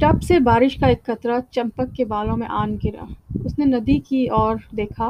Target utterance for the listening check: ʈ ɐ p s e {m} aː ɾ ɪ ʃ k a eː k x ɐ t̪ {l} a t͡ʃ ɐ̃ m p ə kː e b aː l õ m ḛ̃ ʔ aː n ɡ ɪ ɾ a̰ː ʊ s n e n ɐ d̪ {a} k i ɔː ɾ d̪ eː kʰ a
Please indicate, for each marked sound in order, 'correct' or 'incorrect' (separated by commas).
incorrect, incorrect, incorrect